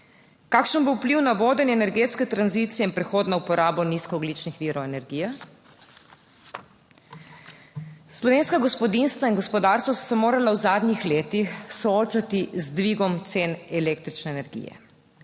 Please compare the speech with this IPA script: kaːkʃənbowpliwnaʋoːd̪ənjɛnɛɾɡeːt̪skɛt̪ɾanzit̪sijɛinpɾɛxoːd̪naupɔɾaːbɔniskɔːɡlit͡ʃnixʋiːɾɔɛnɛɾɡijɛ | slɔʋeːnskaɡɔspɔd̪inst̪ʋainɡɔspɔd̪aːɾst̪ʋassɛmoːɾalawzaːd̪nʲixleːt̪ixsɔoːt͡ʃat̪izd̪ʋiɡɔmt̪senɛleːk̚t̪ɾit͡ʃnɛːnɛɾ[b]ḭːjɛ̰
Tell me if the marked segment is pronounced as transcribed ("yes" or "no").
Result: no